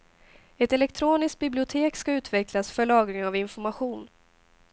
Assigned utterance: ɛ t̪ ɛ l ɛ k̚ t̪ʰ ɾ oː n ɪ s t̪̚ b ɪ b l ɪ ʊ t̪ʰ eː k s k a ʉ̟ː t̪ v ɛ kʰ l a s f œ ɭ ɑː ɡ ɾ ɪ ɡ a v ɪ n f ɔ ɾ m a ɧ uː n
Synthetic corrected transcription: ɛ t̪ ɛ l ɛ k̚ t̪ʰ ɾ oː n ɪ s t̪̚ b ɪ b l ɪ ʊ t̪ʰ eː k s k a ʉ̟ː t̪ v ɛ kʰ l a s f œ ɭ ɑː ɡ ɾ ɪ ŋ a v ɪ n f ɔ ɾ m a ɧ uː n